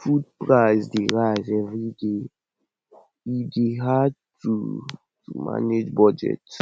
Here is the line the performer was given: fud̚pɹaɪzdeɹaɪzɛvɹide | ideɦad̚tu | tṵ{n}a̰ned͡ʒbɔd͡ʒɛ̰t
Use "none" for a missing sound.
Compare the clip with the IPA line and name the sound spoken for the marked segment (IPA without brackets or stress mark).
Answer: m